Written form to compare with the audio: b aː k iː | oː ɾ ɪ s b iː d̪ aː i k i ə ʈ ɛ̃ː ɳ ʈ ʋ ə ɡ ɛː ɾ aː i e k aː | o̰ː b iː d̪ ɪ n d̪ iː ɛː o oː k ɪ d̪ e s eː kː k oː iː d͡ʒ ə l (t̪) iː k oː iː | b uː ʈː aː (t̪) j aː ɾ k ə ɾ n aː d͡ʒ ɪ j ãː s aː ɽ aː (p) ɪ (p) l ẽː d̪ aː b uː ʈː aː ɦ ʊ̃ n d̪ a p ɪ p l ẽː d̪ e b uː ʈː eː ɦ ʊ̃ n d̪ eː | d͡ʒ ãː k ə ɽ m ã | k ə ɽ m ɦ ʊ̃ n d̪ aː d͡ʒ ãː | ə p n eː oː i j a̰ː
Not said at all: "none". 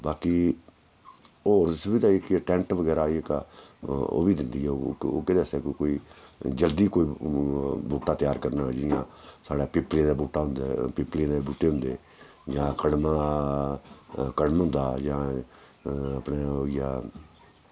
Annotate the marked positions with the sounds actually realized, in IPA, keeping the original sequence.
d̪, t̪, p, p

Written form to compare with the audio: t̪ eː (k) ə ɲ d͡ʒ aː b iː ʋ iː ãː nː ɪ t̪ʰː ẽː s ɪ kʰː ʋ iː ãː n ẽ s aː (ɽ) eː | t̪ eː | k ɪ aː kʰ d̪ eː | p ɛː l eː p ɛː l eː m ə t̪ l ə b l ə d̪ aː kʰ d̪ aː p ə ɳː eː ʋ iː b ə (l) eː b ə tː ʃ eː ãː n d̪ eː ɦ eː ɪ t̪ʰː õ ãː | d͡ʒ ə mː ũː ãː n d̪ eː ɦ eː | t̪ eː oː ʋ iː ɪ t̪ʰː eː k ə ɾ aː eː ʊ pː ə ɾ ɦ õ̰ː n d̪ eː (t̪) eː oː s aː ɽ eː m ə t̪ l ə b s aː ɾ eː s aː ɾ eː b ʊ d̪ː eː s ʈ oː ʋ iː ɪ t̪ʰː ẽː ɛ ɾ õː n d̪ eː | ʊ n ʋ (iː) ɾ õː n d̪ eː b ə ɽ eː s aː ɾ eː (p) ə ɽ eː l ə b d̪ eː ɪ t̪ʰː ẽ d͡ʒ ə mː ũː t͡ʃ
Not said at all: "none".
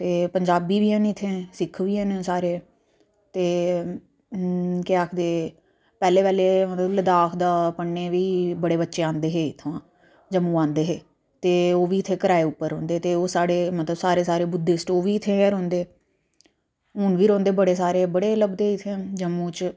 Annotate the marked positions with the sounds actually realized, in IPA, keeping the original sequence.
p, ɾ, ɽ, t̪, iː, b

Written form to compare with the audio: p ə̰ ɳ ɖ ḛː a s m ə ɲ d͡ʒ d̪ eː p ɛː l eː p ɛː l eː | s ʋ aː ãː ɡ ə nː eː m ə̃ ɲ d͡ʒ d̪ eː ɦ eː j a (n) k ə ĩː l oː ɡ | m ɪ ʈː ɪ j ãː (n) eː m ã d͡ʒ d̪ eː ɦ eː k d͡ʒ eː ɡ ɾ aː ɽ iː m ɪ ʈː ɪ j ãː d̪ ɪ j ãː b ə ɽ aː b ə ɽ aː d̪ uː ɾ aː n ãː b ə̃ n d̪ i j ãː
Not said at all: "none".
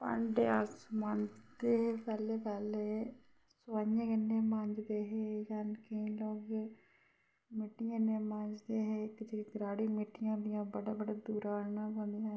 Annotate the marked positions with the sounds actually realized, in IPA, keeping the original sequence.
n, n

